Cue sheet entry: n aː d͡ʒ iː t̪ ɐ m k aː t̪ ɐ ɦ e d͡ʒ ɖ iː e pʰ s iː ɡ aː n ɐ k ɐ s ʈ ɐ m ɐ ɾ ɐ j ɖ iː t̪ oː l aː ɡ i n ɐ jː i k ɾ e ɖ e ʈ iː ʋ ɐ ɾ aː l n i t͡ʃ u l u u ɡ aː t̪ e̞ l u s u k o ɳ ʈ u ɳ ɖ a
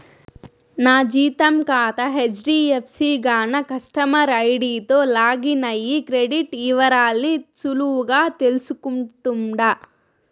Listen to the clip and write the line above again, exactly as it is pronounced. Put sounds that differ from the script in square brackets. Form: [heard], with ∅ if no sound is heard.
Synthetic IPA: n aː d͡ʒ iː t̪ ɐ m k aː t̪ ɐ ɦ e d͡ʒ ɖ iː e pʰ s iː ɡ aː n ɐ k ɐ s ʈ ɐ m ɐ ɾ ɐ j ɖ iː t̪ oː l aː ɡ i n ɐ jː i k ɾ e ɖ [i] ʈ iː ʋ ɐ ɾ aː l n i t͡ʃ u l u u ɡ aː t̪ e̞ l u s u k [u] ɳ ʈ u ɳ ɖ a

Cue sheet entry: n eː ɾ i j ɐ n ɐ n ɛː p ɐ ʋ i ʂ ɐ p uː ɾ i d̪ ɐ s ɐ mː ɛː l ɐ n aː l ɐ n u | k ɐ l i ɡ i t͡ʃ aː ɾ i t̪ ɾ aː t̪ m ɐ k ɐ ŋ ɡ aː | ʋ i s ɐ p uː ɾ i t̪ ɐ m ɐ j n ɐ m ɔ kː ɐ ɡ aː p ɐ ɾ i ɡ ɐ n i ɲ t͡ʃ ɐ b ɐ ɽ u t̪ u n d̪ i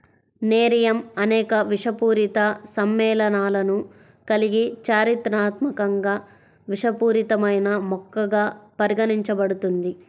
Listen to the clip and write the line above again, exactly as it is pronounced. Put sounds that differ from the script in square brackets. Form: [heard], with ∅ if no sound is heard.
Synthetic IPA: n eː ɾ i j ɐ [m] ɐ n ɛː [k] ɐ ʋ i ʂ ɐ p uː ɾ i [t̪] ɐ s ɐ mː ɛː l ɐ n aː l ɐ n u | k ɐ l i ɡ i t͡ʃ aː ɾ i t̪ ɾ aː t̪ m ɐ k ɐ ŋ ɡ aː | ʋ i [ʂ] ɐ p uː ɾ i t̪ ɐ m ɐ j n ɐ m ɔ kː ɐ ɡ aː p ɐ ɾ i ɡ ɐ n i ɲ t͡ʃ ɐ b ɐ ɽ u t̪ u n d̪ i

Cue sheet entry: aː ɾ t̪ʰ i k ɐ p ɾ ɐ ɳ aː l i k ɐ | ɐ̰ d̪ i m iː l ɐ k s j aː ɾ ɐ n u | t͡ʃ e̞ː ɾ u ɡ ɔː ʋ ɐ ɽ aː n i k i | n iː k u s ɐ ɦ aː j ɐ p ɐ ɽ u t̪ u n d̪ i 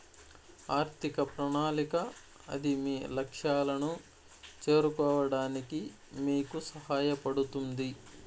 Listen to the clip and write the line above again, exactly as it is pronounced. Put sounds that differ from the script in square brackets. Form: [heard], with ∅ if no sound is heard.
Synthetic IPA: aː ɾ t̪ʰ i k ɐ p ɾ ɐ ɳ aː l i k ɐ | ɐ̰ d̪ i m iː l ɐ k [ʂ] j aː [l] ɐ n u | t͡ʃ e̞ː ɾ u [k] ɔː ʋ ɐ ɽ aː n i k i | [m] iː k u s ɐ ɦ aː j ɐ p ɐ ɽ u t̪ u n d̪ i

